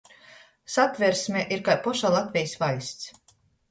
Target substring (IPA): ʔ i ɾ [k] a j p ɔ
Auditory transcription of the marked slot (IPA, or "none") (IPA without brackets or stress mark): k